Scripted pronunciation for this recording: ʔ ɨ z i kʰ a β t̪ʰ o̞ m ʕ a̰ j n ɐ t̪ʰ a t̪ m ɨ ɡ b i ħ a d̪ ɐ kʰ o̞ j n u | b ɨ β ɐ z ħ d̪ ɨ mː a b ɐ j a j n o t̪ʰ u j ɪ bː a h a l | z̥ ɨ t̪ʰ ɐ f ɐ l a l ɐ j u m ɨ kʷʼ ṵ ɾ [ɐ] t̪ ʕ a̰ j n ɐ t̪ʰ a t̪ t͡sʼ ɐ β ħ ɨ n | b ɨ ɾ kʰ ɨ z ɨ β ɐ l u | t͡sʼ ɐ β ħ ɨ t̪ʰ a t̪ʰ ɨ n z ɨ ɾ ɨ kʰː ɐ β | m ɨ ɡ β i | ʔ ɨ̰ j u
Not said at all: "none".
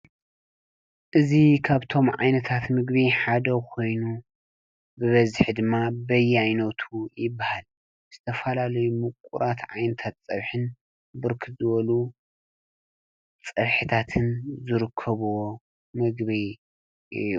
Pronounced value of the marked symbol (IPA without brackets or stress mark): a